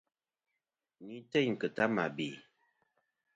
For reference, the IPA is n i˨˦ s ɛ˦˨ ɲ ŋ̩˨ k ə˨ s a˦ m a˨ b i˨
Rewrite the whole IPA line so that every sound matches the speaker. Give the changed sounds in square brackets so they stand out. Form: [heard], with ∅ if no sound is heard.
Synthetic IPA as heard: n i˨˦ [t] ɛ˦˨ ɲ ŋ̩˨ k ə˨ [t] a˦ m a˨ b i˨